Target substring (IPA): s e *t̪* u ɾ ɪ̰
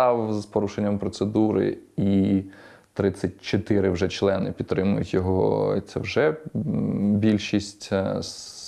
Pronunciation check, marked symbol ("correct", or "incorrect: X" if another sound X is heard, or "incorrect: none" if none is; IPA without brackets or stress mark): incorrect: d̪